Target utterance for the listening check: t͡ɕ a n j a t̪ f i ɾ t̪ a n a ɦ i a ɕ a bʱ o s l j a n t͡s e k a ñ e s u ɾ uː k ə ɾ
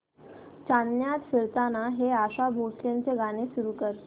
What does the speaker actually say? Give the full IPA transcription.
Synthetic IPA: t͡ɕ a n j a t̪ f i ɾ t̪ a n a ɦ e a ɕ a bʱ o s l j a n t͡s e ɡ a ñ e s u ɾ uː k ə ɾ